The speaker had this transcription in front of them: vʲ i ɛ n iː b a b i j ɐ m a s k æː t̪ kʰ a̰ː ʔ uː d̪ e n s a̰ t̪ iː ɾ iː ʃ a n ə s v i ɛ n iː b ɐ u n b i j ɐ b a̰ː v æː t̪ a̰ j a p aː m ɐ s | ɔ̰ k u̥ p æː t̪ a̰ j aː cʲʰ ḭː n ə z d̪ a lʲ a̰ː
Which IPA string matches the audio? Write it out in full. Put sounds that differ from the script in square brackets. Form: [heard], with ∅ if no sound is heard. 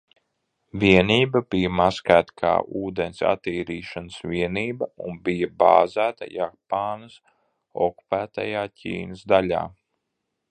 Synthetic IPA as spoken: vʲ i ɛ n iː b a b i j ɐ m a s k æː t̪ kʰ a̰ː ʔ uː d̪ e n s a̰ t̪ iː ɾ iː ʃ a n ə s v i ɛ n iː b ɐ u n b i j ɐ b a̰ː [z] æː t̪ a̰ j a p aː [n] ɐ s | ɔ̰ k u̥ p æː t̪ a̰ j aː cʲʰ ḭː n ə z d̪ a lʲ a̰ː

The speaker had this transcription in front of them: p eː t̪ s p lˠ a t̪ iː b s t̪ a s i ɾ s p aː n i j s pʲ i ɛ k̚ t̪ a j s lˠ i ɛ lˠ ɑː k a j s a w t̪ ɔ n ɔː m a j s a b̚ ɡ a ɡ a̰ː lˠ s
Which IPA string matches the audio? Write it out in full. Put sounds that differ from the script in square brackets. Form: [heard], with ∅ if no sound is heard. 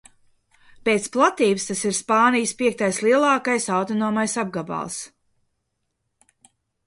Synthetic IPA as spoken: p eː t̪ s p lˠ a t̪ iː b s t̪ a s i ɾ s p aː n i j s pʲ i ɛ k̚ t̪ a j s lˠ i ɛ lˠ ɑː k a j s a w t̪ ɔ n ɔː m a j s a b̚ ɡ a [b] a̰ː lˠ s

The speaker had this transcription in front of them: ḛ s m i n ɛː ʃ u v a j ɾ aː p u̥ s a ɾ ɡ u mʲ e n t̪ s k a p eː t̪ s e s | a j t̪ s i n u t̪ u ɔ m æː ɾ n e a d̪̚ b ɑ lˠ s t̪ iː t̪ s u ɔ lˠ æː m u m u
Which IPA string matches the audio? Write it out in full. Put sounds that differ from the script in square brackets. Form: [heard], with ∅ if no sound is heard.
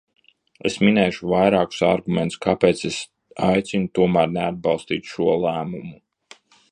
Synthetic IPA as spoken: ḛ s m i n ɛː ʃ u v a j ɾ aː [k] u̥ s a ɾ ɡ u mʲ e n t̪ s k a p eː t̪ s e s | a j t̪ s i n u t̪ u ɔ m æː ɾ n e a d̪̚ b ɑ lˠ s t̪ iː t̪ [ʃ] u ɔ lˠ æː m u m u

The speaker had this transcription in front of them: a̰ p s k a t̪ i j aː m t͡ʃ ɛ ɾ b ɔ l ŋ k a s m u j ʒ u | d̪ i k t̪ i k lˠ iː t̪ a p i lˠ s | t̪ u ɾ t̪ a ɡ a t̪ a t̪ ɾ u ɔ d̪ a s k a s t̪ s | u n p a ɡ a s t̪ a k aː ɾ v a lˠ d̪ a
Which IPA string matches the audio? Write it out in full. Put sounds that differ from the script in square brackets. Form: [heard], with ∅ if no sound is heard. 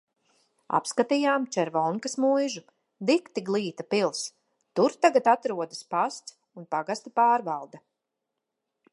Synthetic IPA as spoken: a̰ p s k a t̪ i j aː m t͡ʃ ɛ ɾ [v] ɔ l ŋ k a s m u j ʒ u | d̪ i k t̪ i [ɡ] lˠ iː t̪ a p i lˠ s | t̪ u ɾ t̪ a ɡ a t̪ a t̪ ɾ u ɔ d̪ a s [p] a s t̪ s | u n p a ɡ a s t̪ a [p] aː ɾ v a lˠ d̪ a

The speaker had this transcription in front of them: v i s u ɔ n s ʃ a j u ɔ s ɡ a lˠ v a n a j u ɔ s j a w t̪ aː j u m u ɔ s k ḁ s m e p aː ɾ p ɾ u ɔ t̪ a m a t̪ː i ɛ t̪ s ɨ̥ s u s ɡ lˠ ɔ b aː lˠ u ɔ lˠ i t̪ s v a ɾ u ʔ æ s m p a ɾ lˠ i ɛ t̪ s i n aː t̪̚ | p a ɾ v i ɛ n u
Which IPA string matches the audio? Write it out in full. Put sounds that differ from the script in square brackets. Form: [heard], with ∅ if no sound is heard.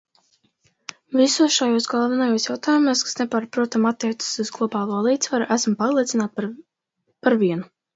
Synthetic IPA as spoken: v i s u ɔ [∅] s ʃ a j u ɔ s ɡ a lˠ v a n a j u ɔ s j a w t̪ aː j u m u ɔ s k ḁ s [n] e p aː ɾ p ɾ u ɔ t̪ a m a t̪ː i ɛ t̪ s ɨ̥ s u [z] ɡ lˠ ɔ b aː lˠ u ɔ lˠ [iː] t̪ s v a ɾ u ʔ æ s m p a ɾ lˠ i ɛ t̪ s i n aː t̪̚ | p a ɾ v i ɛ n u

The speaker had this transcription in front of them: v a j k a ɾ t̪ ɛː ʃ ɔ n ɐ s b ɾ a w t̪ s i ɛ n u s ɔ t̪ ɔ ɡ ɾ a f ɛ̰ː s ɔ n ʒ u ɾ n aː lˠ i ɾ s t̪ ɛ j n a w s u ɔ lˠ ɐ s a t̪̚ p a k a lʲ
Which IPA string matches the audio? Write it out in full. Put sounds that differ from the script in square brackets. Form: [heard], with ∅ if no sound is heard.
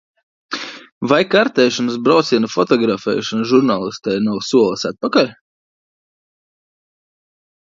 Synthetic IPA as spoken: v a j k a ɾ t̪ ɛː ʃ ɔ n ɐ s b ɾ a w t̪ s i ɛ n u [f] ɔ t̪ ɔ ɡ ɾ a f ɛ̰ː [ʃ] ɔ n ʒ u ɾ n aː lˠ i [∅] s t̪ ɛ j n a w s u ɔ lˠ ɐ s a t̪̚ p a k a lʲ

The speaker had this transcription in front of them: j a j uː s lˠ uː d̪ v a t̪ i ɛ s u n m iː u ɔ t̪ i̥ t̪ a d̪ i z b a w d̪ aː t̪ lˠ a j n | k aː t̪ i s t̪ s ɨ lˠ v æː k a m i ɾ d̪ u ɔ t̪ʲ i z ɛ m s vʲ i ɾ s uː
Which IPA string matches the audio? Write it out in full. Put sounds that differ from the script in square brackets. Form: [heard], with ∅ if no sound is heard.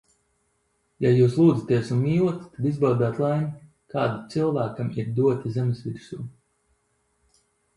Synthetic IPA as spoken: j a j uː s lˠ uː d̪ [z] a t̪ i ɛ s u n m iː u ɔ t̪ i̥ t̪ a d̪ i z b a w d̪ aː t̪ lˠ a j n | k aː [d̪] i [∅] t̪ s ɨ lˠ v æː k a m i ɾ d̪ u ɔ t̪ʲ i z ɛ m s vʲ i ɾ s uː

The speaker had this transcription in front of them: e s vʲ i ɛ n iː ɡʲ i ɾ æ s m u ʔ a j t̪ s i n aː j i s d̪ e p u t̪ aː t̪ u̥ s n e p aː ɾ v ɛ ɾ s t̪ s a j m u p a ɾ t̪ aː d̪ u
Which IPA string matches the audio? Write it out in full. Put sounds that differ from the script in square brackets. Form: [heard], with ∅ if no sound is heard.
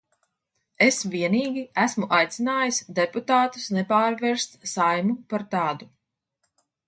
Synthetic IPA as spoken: e s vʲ i ɛ n iː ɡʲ i [∅] æ s m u ʔ a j t̪ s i n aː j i s d̪ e p u t̪ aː t̪ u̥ s n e p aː ɾ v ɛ ɾ s t̪ s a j m u p a ɾ t̪ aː d̪ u

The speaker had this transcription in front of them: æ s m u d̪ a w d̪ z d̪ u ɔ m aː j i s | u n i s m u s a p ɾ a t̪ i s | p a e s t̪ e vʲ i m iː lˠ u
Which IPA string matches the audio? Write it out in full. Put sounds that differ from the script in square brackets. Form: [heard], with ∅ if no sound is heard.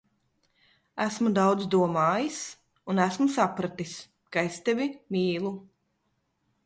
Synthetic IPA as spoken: æ s m u d̪ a w d̪ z d̪ u ɔ m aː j i s | u n [æ] s m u s a p ɾ a t̪ i s | [k] a e s t̪ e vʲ i m iː lˠ u

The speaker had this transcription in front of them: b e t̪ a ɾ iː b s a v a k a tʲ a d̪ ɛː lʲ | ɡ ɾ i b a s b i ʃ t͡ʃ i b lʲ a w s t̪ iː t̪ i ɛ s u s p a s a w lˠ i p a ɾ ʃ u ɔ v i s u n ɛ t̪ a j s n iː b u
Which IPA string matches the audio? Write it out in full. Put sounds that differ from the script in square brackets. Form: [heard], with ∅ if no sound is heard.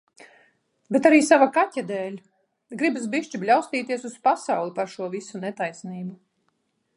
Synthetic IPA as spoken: b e t̪ a ɾ iː [∅] s a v a k a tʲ a d̪ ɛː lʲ | ɡ ɾ i b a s b i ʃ t͡ʃ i b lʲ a w s t̪ iː t̪ i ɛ s u s p a s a w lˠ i p a ɾ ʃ u ɔ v i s u n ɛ t̪ a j s n iː b u

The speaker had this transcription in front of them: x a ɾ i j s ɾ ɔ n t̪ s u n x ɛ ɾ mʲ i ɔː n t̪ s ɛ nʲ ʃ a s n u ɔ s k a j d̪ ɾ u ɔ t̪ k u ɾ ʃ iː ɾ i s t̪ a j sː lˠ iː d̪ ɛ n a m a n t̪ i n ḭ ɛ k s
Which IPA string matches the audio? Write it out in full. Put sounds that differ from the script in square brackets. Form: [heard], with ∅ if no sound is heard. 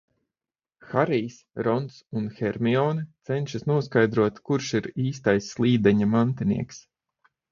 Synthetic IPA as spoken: x a ɾ i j s ɾ ɔ n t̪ s u n x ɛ ɾ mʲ i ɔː n t̪ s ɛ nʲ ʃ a s n u ɔ s k a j d̪ ɾ u ɔ t̪ k u ɾ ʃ [i] ɾ [iː] s t̪ a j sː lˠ iː d̪ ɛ [ɲ] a m a n t̪ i n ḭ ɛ k s

